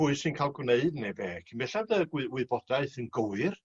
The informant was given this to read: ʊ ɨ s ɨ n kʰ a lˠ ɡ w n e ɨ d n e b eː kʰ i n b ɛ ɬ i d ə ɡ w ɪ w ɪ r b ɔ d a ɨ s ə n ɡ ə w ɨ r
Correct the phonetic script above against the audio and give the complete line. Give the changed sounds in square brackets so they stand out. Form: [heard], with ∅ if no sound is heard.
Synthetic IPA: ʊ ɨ s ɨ n kʰ a lˠ ɡ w n e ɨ d n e b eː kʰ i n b ɛ ɬ [a] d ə ɡ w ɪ w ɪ [∅] b ɔ d a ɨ [θ] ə n ɡ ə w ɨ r